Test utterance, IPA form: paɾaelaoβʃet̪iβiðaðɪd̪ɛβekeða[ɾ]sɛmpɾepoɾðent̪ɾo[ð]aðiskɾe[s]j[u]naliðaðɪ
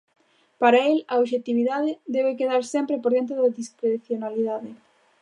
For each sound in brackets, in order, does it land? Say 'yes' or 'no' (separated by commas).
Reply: yes, yes, no, no